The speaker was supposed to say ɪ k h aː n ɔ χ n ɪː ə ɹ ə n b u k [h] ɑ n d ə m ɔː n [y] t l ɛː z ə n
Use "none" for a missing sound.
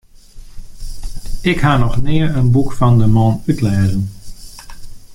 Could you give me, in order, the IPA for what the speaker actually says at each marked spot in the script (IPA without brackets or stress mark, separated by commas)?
f, y